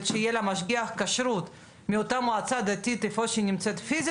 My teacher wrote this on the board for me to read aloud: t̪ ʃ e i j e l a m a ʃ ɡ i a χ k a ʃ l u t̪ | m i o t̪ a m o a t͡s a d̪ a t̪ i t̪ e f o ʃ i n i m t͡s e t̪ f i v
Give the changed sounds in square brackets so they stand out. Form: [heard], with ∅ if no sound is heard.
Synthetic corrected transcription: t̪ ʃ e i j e l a m a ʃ ɡ i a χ k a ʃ [ɾ] u t̪ | m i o t̪ a m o a t͡s a d̪ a t̪ i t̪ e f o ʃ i n i m t͡s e t̪ f i [z]